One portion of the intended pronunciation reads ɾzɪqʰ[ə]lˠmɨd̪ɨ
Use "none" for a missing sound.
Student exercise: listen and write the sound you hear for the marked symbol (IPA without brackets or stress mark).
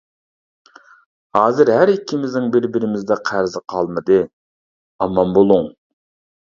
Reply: ɑ